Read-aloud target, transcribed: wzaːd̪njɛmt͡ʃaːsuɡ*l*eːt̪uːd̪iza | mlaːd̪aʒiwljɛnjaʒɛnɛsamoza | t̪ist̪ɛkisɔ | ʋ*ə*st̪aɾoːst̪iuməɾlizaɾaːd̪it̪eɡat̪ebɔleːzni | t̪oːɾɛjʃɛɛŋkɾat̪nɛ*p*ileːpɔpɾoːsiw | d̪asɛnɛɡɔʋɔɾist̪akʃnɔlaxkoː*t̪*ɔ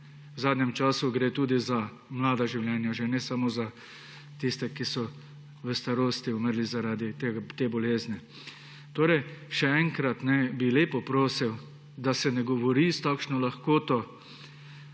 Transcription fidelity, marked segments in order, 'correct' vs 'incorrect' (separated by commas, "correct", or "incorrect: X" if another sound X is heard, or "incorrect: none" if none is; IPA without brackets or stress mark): incorrect: ɾ, correct, incorrect: b, correct